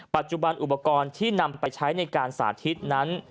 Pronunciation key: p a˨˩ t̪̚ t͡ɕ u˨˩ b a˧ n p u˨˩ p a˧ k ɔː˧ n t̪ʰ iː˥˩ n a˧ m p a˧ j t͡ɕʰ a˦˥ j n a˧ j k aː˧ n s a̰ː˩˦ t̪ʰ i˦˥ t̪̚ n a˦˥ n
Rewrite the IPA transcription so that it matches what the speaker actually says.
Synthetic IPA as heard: p a˨˩ t̪̚ t͡ɕ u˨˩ b a˧ n ʔ u˨˩ p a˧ k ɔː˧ n t̪ʰ iː˥˩ n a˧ m p a˧ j t͡ɕʰ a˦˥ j n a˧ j k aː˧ n s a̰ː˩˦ t̪ʰ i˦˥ t̪̚ n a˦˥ n